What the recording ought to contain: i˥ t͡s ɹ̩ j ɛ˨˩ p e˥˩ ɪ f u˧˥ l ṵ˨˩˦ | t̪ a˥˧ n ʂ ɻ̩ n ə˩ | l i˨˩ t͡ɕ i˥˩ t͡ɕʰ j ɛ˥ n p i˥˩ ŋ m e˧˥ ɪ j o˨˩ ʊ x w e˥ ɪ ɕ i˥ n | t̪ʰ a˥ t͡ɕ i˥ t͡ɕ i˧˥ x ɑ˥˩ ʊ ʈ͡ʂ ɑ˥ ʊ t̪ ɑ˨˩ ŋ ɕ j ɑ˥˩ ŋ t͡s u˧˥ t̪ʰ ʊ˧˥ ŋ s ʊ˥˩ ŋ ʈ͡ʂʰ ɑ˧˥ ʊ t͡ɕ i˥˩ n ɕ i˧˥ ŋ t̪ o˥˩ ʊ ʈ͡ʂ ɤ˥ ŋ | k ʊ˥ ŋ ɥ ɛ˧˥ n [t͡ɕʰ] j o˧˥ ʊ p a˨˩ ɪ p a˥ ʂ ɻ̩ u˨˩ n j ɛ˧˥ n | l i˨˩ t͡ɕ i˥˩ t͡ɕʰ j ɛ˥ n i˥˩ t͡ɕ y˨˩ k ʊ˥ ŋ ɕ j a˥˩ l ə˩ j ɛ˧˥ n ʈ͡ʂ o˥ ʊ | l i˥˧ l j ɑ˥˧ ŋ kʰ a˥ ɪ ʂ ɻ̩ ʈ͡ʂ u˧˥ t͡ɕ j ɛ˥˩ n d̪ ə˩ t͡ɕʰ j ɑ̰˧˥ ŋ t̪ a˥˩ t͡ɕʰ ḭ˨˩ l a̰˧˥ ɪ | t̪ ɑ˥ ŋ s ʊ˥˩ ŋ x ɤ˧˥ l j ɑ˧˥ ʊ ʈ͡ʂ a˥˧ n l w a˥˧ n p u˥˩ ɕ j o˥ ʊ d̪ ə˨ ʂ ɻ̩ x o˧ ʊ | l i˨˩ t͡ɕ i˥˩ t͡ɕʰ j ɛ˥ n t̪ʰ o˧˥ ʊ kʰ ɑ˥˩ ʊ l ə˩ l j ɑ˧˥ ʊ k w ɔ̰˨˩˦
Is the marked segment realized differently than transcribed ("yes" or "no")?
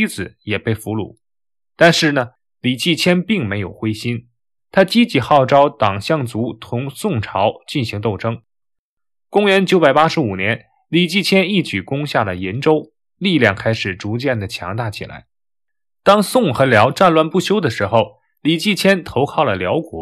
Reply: yes